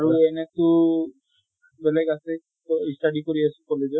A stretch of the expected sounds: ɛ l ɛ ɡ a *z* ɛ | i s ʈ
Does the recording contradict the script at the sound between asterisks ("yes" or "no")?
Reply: yes